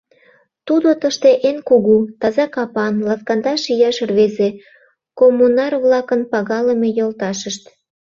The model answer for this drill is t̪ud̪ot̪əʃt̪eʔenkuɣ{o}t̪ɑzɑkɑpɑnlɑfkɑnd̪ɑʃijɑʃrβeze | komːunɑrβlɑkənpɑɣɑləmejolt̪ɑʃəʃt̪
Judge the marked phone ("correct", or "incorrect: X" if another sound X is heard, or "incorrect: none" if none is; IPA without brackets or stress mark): incorrect: u